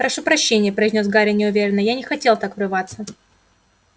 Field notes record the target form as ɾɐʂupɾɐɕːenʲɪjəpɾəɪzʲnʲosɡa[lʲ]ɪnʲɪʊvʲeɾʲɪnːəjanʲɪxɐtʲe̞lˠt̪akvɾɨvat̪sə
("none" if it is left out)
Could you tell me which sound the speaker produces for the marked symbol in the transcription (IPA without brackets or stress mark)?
ɾʲ